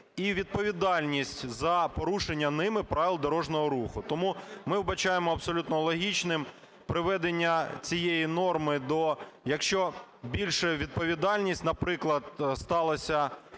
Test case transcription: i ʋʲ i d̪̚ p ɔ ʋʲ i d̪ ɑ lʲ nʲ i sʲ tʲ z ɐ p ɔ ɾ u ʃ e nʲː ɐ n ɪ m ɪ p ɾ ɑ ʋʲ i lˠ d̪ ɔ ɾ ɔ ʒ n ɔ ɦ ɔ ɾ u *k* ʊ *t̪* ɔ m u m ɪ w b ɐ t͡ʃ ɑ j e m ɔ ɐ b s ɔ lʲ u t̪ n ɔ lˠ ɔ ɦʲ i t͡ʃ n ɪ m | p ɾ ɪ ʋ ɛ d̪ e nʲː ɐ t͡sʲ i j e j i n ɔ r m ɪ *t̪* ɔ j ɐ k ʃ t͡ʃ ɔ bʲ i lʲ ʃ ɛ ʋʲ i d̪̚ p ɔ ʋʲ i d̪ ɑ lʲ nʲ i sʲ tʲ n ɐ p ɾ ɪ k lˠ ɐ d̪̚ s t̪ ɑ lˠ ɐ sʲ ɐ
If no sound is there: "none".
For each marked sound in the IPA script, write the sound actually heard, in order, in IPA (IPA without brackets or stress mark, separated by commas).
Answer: x, t̪, d̪